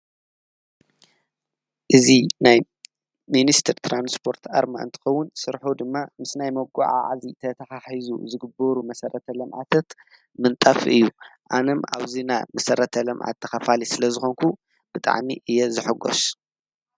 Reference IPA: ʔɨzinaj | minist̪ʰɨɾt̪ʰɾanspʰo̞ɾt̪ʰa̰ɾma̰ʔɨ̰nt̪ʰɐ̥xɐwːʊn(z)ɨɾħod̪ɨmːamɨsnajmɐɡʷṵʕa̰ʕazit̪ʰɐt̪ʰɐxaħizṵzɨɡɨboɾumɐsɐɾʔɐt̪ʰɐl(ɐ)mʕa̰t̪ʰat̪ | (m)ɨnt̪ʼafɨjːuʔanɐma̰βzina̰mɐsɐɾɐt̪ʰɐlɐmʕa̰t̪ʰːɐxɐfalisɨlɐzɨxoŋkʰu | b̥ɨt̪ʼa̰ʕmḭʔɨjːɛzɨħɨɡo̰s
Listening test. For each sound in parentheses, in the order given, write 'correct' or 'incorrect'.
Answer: incorrect, correct, correct

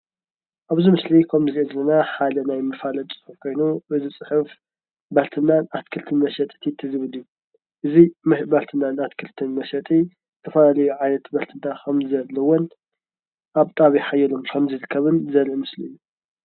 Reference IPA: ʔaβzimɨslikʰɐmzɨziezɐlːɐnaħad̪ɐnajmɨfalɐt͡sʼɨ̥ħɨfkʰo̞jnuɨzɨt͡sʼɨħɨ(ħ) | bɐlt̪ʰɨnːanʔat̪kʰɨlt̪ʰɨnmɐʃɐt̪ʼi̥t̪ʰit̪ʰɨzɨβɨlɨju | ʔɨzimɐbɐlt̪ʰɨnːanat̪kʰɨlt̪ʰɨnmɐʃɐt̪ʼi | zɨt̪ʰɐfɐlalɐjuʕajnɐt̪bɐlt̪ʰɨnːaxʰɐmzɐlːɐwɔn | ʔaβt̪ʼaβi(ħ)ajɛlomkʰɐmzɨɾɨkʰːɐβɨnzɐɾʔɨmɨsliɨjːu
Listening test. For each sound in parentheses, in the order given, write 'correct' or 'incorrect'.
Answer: incorrect, correct

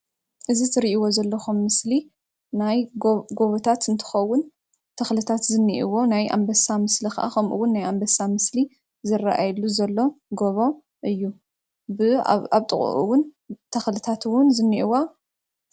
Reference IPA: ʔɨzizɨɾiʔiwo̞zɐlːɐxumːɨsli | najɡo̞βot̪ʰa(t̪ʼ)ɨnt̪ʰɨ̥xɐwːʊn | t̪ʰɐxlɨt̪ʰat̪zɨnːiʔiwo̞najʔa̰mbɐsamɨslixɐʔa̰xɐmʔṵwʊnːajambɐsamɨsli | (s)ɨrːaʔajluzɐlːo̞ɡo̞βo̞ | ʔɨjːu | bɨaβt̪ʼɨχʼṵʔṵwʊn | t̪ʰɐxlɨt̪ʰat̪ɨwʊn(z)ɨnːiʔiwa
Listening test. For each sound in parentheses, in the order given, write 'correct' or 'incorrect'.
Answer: incorrect, incorrect, correct

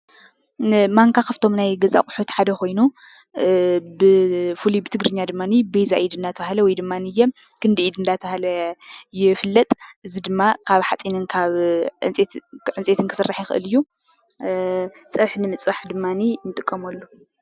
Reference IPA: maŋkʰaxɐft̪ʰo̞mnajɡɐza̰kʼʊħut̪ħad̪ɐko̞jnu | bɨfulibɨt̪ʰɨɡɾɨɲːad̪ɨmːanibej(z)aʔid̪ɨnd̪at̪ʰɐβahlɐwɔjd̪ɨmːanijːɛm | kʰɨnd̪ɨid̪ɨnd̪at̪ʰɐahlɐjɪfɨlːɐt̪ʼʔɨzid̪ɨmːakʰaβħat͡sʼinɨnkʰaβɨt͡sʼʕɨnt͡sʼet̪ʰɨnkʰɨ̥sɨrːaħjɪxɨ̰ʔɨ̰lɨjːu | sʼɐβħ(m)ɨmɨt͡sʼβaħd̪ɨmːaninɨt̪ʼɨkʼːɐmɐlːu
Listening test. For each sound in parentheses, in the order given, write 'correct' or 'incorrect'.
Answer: correct, incorrect

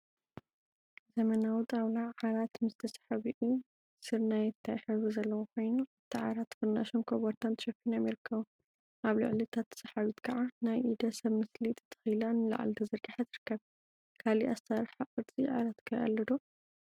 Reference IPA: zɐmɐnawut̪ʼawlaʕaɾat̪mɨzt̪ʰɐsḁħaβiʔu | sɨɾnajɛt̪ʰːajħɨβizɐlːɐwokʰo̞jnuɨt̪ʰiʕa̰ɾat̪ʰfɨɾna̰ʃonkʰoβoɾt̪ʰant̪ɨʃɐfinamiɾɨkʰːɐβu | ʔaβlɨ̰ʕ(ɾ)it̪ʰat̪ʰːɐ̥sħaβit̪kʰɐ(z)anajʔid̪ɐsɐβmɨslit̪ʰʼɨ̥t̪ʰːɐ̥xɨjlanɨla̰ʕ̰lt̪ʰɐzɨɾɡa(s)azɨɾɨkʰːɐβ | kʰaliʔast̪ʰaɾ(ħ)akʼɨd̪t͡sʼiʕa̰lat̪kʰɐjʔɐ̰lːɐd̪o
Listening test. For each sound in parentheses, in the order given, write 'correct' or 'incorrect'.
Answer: incorrect, incorrect, incorrect, correct

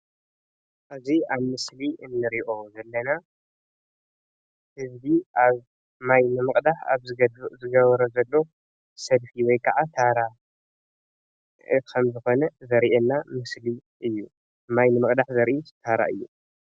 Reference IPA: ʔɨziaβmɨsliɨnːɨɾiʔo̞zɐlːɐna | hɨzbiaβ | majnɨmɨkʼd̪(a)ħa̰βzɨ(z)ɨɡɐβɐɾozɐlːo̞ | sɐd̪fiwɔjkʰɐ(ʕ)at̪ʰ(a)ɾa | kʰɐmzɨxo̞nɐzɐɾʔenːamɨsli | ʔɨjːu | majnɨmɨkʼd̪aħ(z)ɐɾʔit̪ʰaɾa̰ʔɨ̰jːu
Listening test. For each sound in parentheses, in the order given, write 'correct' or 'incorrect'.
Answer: correct, correct, correct, correct, correct

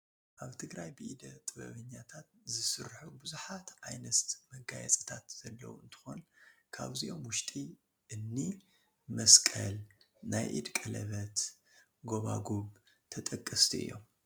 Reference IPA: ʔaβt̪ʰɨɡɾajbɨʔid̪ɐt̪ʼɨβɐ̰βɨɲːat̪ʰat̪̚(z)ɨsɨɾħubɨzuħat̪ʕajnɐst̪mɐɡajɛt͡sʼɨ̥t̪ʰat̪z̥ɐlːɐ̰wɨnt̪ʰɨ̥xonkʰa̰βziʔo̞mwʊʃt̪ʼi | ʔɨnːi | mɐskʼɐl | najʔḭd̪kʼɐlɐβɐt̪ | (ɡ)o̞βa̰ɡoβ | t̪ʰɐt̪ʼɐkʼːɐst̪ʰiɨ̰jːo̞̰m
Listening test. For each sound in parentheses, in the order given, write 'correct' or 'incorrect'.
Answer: correct, correct

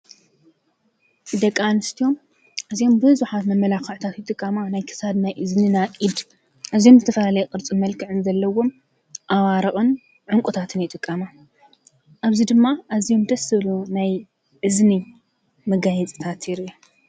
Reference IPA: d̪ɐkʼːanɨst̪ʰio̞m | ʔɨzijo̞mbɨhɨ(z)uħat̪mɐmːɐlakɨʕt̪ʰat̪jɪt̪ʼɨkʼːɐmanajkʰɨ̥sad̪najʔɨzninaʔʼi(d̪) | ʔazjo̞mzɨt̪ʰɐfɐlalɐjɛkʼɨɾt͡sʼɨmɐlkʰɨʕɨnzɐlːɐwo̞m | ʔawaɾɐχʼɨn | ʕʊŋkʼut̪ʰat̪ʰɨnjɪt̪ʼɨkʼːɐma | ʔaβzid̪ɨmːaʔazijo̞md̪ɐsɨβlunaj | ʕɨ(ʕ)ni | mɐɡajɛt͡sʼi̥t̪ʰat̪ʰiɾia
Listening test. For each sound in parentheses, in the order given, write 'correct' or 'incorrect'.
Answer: correct, correct, incorrect

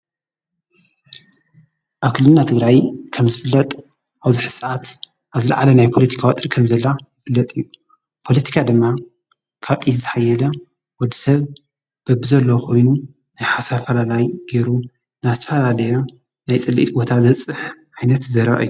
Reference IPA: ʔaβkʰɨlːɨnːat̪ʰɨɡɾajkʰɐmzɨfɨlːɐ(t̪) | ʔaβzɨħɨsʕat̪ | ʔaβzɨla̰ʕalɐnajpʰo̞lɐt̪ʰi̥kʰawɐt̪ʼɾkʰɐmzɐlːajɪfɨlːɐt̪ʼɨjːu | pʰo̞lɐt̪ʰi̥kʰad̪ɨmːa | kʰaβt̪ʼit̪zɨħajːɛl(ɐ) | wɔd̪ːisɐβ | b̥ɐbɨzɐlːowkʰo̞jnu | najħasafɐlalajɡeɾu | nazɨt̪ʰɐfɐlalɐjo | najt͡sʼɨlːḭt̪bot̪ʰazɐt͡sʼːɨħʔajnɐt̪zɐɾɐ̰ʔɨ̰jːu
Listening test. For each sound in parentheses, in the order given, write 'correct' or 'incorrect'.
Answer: incorrect, correct

